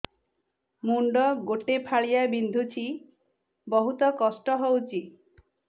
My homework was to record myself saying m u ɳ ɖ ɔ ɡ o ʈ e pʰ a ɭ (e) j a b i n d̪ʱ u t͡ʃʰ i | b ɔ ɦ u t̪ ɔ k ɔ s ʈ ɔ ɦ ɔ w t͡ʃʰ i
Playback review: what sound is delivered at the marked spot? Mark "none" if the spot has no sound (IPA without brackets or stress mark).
i